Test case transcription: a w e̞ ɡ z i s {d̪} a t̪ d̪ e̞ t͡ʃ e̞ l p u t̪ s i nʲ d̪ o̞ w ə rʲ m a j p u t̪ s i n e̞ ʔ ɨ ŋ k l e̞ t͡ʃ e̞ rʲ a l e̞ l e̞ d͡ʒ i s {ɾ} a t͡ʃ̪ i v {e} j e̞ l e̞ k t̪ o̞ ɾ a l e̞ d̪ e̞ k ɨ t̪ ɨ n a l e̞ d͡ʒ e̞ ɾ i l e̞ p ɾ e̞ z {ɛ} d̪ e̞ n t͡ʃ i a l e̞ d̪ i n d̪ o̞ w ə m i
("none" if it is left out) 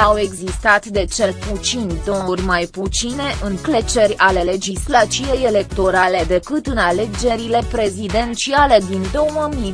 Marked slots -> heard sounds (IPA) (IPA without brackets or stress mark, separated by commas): t̪, l, e, i